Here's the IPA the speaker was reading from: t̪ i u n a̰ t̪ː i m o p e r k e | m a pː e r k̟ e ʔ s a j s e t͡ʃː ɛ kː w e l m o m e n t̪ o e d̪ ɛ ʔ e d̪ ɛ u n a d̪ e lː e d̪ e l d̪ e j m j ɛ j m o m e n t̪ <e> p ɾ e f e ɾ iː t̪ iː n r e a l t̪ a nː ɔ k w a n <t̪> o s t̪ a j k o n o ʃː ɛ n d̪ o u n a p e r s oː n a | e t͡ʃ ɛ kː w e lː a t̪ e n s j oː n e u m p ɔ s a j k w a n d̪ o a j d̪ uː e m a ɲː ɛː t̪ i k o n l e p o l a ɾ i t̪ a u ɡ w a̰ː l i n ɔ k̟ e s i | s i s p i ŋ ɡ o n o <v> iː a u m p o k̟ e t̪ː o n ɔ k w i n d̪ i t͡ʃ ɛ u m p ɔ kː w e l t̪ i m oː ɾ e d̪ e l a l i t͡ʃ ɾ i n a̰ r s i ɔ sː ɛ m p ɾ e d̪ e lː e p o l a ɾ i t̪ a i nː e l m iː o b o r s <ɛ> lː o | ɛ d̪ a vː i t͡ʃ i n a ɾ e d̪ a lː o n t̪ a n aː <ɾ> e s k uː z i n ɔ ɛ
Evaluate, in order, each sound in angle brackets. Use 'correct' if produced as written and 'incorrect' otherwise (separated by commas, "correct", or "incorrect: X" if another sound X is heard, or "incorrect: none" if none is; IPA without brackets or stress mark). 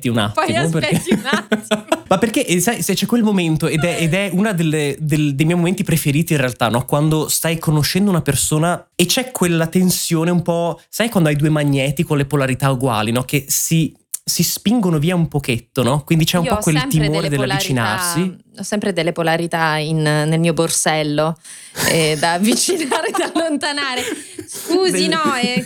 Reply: incorrect: i, incorrect: d̪, correct, correct, correct